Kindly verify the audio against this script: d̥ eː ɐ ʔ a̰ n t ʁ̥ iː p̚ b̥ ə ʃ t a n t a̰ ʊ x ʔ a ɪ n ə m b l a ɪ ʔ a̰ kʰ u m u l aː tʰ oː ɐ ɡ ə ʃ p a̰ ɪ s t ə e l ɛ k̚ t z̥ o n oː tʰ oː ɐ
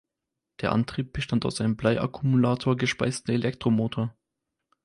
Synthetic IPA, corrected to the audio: d̥ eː ɐ ʔ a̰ n t ʁ̥ iː p̚ b̥ ə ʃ t a n t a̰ ʊ s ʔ a ɪ n ə m b l a ɪ ʔ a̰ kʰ u m u l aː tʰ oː ɐ ɡ ə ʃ p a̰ ɪ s t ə e l ɛ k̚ t ʁ̥ o m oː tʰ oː ɐ